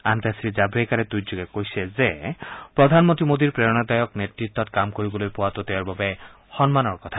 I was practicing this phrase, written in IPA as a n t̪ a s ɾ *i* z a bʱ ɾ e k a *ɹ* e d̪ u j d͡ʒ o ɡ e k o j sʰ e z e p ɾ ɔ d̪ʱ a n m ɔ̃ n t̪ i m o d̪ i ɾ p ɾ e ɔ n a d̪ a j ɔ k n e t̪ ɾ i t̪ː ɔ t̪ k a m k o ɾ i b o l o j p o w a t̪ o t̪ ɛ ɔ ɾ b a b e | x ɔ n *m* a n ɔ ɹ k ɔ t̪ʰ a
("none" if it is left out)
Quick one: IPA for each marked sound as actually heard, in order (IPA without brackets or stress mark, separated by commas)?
i, ɾ, m